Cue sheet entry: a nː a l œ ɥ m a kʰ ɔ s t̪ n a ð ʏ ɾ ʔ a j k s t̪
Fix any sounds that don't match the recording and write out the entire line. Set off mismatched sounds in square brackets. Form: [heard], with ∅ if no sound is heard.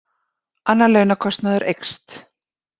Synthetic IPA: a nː a l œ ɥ [n] a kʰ ɔ s t̪ n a ð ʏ ɾ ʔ [e] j k s t̪